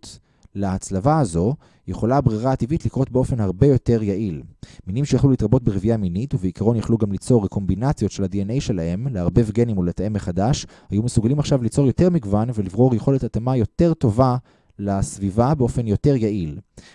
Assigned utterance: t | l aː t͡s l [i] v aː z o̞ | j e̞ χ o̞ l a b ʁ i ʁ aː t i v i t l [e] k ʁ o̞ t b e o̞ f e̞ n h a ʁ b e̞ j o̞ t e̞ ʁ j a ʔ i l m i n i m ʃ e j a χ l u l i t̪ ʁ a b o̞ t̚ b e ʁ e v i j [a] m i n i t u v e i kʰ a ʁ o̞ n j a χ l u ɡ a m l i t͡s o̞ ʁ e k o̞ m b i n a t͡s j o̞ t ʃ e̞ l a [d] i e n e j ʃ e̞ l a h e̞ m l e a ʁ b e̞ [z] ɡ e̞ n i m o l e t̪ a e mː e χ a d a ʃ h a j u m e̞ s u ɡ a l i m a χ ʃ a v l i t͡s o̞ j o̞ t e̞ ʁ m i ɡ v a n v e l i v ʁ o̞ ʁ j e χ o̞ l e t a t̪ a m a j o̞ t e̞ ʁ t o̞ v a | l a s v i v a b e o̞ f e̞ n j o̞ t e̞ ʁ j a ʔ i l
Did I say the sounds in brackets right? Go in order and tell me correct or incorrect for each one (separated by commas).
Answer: incorrect, incorrect, correct, correct, incorrect